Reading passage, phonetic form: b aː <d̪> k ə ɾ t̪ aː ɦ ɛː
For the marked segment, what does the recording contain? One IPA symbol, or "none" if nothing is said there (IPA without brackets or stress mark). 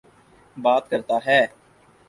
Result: t̪